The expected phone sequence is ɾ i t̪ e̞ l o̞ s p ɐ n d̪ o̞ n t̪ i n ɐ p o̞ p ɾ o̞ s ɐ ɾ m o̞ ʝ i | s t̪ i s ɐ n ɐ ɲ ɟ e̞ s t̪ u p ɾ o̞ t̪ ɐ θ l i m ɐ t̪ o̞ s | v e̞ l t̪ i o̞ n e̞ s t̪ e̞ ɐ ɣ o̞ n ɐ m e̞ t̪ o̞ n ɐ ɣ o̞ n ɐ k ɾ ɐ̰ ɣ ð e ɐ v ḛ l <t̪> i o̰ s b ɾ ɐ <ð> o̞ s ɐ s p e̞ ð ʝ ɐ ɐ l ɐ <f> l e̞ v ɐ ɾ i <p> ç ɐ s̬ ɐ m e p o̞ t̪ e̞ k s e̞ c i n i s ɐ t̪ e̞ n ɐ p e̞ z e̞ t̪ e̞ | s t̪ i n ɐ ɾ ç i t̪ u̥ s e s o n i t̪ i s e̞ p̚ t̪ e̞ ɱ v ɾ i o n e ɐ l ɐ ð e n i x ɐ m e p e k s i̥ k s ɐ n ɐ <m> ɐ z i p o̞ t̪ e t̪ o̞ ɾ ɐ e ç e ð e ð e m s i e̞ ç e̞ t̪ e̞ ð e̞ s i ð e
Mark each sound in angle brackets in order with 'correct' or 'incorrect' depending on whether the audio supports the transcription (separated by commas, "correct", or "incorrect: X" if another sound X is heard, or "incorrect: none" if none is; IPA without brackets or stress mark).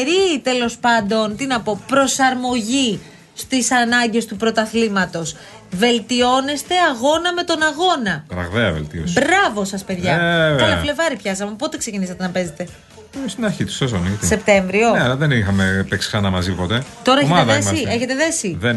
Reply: correct, incorrect: v, correct, correct, correct